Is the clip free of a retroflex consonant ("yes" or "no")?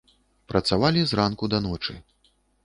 no